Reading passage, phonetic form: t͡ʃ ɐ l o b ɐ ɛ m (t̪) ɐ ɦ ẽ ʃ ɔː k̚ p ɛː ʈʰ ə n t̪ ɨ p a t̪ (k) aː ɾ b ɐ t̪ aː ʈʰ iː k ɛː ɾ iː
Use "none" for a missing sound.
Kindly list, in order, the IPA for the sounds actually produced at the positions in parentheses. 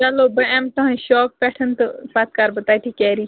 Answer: t̪, k

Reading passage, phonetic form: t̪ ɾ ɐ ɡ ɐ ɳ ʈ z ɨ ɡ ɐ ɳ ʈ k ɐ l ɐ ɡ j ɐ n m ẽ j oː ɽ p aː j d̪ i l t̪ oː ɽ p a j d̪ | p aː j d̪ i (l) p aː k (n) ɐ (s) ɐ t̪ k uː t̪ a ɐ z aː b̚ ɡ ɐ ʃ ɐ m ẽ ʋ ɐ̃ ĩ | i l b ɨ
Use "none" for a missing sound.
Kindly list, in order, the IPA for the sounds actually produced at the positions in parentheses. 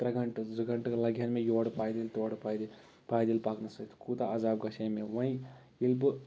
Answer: l, n, s

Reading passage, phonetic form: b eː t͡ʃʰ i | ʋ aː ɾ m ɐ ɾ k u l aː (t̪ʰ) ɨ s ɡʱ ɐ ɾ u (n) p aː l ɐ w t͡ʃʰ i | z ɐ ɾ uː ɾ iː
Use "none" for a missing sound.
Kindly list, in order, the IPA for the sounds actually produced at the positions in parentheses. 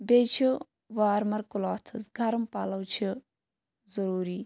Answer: t̪ʰ, m

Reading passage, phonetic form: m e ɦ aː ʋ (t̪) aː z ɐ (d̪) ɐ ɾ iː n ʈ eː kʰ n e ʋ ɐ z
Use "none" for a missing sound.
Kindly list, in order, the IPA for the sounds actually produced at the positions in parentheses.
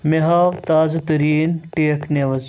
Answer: t̪, t̪

